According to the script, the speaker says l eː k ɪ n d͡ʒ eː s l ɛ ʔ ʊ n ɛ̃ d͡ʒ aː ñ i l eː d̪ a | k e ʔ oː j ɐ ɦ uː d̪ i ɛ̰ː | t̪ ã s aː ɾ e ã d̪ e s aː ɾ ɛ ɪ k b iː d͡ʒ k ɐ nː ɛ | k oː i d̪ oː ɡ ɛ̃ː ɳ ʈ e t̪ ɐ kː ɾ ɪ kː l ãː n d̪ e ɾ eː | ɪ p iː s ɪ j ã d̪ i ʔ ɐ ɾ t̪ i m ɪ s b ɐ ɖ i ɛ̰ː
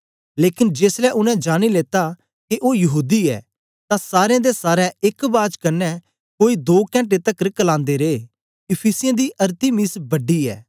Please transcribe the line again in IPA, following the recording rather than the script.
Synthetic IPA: l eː k ɪ n d͡ʒ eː s l ɛ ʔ ʊ n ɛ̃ d͡ʒ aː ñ i l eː t̪ a | k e ʔ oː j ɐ ɦ uː d̪ i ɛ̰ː | t̪ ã s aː ɾ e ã d̪ e s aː ɾ ɛ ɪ k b aː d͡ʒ k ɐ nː ɛ | k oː i d̪ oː k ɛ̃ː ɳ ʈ e t̪ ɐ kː ɾ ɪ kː l ãː n d̪ e ɾ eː | ɪ pʰ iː s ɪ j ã d̪ i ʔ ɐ ɾ t̪ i m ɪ s b ɐ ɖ i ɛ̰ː